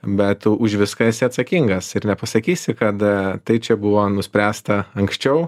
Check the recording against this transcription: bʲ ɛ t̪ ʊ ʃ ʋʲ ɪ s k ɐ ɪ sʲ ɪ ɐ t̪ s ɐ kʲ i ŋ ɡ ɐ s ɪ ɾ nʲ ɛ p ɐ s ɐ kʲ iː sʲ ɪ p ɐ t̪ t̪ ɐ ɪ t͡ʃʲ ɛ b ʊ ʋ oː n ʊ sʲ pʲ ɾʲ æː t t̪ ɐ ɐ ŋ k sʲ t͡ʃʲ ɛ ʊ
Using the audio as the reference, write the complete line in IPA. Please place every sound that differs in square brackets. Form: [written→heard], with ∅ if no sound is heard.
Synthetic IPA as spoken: bʲ ɛ t̪ ʊ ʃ ʋʲ ɪ s k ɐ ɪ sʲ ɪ ɐ t̪ s ɐ kʲ i ŋ ɡ ɐ s ɪ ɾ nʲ ɛ p ɐ s ɐ kʲ iː sʲ ɪ [p→k] ɐ t̪ t̪ ɐ ɪ t͡ʃʲ ɛ b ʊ ʋ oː n ʊ sʲ pʲ ɾʲ æː [t→s] t̪ ɐ ɐ ŋ k sʲ t͡ʃʲ ɛ ʊ